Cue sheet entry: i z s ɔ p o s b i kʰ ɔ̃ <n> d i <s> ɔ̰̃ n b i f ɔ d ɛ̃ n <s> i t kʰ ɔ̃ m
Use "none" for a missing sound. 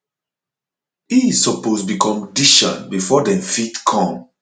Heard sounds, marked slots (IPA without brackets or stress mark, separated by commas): m, ʃ, f